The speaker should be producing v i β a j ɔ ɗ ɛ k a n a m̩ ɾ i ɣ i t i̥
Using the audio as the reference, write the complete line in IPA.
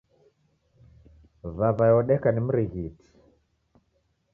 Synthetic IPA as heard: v a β a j ɔ ɗ ɛ k a n i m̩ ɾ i ɣ i t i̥